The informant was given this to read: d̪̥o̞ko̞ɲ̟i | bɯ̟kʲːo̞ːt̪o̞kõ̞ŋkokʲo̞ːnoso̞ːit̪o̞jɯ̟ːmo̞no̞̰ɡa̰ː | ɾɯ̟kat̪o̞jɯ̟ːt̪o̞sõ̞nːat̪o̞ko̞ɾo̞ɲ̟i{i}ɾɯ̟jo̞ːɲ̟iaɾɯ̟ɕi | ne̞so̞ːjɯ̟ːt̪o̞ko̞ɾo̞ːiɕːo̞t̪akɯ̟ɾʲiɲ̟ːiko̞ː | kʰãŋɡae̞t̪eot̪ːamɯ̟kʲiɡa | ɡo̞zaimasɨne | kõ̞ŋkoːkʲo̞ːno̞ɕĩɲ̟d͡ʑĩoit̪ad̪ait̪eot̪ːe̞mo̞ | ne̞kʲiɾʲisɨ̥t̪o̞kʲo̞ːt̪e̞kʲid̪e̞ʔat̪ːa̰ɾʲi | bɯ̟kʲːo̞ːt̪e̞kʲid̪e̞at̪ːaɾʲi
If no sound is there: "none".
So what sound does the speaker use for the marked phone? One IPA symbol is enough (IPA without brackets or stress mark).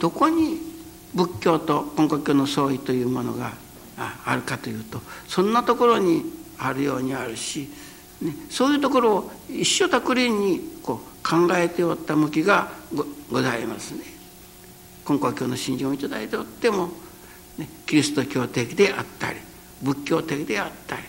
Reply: a